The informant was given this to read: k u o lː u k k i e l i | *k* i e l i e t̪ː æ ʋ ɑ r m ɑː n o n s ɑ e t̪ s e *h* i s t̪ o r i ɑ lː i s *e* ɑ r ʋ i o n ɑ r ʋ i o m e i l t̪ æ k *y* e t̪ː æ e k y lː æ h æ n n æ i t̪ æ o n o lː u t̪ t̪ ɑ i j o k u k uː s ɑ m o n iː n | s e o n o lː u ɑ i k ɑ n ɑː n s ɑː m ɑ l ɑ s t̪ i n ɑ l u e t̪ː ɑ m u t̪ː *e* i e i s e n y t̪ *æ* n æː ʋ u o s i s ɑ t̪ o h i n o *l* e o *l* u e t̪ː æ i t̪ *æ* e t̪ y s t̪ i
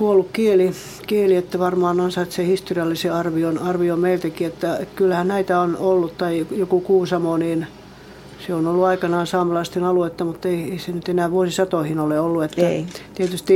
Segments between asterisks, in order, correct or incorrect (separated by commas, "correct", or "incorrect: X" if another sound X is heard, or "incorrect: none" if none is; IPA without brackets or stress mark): correct, correct, correct, incorrect: i, correct, incorrect: e, correct, incorrect: lː, incorrect: i